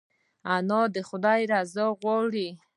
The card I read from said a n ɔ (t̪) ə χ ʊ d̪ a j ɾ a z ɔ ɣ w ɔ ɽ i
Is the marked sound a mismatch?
yes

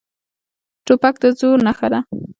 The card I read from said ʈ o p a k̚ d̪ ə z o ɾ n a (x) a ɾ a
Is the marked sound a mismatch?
no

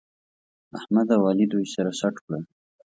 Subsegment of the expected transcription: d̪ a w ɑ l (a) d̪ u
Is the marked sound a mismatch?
yes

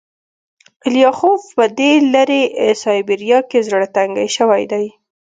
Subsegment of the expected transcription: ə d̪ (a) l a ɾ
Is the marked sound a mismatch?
yes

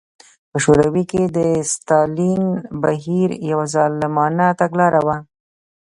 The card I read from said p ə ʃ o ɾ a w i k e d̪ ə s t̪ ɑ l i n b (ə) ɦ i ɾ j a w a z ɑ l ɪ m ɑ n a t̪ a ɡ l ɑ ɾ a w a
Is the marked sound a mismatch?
yes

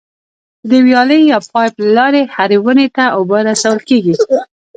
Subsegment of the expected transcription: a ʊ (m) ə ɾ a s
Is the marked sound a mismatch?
yes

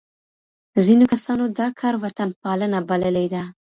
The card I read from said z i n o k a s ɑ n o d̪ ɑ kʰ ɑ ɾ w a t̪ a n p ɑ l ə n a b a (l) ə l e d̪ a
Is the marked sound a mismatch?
no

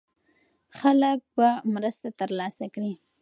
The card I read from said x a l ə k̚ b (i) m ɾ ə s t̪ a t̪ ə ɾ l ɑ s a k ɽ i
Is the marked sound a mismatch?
yes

